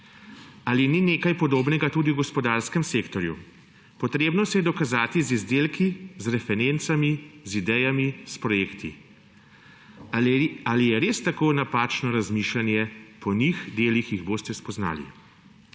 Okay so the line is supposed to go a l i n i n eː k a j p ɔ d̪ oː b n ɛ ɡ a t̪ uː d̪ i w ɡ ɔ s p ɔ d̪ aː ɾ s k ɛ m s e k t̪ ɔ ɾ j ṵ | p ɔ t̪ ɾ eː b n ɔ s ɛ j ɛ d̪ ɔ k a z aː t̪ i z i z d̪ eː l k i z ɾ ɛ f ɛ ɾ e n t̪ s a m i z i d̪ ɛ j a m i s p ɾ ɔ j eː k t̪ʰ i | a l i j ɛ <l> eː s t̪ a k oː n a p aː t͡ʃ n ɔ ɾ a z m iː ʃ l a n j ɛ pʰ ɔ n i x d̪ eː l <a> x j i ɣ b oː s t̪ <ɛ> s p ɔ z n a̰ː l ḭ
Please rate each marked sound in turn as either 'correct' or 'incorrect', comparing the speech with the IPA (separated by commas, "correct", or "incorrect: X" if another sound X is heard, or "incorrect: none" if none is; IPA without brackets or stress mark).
incorrect: ɾ, incorrect: i, correct